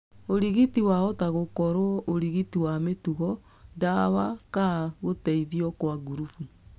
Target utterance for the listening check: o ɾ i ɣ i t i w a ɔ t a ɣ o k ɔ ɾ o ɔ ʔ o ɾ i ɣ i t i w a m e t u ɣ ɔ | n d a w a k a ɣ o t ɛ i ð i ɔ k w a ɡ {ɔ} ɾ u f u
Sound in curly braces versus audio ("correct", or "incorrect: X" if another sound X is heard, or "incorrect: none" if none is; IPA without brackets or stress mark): incorrect: u